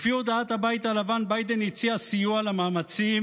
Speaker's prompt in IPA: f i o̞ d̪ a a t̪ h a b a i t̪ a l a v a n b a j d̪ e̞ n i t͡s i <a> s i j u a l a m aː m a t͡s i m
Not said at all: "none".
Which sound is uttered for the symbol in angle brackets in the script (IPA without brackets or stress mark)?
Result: a